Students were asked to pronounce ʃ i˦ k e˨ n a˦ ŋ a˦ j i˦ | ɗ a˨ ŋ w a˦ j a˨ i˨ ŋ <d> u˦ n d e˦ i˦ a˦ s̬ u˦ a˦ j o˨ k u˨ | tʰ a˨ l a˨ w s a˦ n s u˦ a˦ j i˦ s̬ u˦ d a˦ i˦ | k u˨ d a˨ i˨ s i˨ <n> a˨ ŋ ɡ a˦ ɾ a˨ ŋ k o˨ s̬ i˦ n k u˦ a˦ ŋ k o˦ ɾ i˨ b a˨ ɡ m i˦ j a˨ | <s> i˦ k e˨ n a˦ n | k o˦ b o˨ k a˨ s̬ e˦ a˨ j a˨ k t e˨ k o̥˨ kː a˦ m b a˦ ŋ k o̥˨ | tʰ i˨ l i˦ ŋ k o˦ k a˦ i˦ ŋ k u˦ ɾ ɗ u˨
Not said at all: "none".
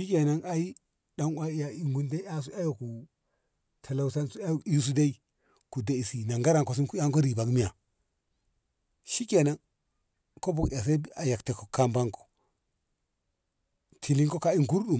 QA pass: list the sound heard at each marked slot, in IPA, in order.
ɡ, n, ʃ

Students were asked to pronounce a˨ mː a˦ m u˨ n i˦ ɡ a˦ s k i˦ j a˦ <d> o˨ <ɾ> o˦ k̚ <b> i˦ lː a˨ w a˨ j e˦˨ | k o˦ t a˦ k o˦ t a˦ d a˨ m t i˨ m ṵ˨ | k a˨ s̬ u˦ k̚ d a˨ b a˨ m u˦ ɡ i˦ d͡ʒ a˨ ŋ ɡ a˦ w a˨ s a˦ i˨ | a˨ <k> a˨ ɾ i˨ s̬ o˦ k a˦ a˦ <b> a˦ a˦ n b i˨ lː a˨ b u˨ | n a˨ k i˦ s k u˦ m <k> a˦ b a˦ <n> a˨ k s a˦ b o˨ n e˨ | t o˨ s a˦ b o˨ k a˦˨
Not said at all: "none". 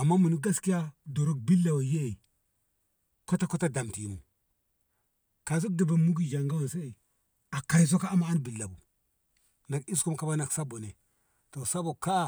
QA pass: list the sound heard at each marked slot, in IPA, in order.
d, ɾ, b, k, m, k, n

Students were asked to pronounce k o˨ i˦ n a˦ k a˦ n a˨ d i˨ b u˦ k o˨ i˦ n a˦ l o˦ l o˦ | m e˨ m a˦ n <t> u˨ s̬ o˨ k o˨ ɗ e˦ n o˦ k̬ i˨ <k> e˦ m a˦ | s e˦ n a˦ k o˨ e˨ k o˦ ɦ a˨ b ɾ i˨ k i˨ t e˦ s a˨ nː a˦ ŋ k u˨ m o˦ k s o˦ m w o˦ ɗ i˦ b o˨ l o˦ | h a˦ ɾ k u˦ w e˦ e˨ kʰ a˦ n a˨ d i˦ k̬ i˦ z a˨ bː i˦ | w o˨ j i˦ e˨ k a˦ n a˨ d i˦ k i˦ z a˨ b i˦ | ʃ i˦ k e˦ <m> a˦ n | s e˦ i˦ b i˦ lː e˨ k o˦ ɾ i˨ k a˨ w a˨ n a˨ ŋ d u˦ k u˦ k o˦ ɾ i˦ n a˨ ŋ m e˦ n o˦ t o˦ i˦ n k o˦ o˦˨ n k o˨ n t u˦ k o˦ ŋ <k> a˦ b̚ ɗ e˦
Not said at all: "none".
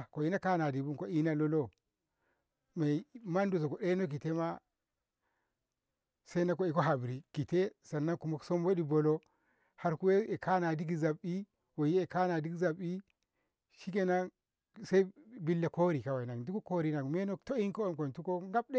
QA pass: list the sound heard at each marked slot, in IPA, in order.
d, t, n, ɡ

